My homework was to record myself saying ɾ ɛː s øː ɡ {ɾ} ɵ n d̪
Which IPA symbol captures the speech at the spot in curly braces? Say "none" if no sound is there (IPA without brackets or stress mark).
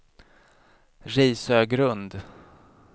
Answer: ɾ